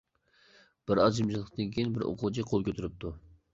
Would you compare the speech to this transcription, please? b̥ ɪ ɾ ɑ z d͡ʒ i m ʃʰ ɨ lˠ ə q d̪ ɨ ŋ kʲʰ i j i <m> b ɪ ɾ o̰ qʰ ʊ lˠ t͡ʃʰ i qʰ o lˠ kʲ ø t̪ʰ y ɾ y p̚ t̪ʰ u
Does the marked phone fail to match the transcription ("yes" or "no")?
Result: yes